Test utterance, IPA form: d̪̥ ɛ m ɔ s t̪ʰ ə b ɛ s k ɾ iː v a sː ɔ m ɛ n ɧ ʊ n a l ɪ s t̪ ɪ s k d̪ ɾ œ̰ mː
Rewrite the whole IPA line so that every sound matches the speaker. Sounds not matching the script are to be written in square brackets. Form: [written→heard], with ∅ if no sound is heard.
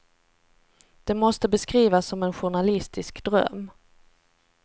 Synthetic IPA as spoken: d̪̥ ɛ m ɔ s [t̪ʰ→t̪] ə b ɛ s k ɾ iː v a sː ɔ m ɛ n ɧ ʊ [n→ɳ] a l ɪ s t̪ ɪ s k d̪ ɾ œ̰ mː